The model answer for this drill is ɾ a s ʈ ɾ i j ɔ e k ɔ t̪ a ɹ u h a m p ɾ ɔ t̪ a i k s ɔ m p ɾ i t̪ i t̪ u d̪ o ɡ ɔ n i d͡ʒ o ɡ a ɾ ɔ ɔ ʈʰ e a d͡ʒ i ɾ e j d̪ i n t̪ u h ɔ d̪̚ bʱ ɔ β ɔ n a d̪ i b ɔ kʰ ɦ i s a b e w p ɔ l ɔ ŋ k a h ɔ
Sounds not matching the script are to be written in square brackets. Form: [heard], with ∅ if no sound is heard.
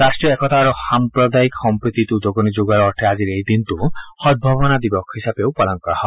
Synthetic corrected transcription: ɾ a s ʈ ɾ i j ɔ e k ɔ t̪ a [ɾ] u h a m p ɾ ɔ [d̪] a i k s ɔ m p ɾ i t̪ i t̪ u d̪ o ɡ ɔ n i d͡ʒ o ɡ a ɾ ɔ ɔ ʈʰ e a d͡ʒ i ɾ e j d̪ i n t̪ u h ɔ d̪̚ bʱ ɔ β ɔ n a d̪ i b ɔ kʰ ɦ i s a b e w p ɔ l ɔ ŋ k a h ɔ